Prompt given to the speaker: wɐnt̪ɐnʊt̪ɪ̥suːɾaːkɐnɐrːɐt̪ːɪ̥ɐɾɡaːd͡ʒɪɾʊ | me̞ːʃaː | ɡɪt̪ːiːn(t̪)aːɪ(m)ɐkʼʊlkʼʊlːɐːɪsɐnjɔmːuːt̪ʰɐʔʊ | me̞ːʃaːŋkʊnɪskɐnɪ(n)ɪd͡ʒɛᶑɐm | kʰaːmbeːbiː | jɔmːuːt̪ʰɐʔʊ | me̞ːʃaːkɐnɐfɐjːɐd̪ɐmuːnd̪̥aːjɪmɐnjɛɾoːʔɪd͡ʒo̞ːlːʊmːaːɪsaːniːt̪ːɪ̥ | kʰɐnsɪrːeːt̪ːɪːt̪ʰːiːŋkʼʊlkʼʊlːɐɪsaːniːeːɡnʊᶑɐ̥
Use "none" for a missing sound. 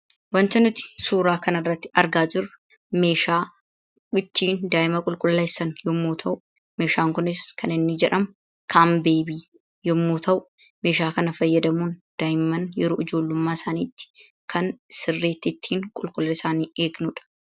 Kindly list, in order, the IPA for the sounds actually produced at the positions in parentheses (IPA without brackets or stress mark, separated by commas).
d̪, m, nː